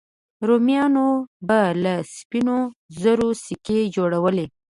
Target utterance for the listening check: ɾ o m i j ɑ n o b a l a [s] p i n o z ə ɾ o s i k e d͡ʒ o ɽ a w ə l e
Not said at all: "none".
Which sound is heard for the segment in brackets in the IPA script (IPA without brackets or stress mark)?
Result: s